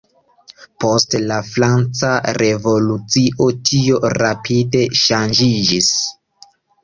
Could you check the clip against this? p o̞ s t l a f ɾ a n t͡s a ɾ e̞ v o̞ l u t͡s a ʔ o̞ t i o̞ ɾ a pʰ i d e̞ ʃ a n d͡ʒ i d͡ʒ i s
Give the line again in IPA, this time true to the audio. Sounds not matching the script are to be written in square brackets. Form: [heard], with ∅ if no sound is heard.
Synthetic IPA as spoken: p o̞ s t l a f ɾ a n t͡s a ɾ e̞ v o̞ l u t͡s [i] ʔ o̞ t i o̞ ɾ a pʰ i d e̞ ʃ a n d͡ʒ i d͡ʒ i s